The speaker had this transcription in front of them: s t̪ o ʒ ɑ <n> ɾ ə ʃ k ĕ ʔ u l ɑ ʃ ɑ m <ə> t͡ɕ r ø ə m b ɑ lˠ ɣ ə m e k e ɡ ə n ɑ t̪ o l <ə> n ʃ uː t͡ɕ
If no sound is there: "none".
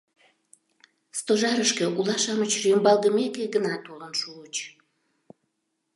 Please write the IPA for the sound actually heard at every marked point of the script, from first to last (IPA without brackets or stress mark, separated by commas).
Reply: none, ə, ə